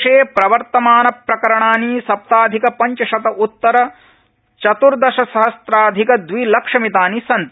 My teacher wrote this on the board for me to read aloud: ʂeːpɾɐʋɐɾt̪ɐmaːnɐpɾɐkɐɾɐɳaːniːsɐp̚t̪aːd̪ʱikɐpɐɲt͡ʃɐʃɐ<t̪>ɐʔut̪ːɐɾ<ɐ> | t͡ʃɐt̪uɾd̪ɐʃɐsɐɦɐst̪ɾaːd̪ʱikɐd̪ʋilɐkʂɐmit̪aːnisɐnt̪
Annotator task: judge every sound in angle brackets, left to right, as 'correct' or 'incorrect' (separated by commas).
correct, correct